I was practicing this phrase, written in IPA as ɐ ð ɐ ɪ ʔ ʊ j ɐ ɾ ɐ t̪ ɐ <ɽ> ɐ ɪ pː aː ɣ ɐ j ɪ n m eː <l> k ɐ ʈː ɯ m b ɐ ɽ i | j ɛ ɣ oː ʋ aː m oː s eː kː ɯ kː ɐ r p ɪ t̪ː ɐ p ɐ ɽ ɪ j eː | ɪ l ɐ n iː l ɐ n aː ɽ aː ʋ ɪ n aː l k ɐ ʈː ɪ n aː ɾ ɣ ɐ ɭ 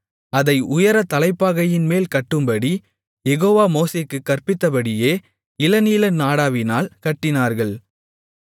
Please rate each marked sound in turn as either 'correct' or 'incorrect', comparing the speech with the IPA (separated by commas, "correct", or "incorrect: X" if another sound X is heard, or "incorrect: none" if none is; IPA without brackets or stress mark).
incorrect: l, correct